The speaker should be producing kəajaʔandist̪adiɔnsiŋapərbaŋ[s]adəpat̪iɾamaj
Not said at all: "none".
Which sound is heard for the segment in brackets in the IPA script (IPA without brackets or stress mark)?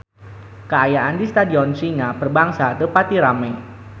s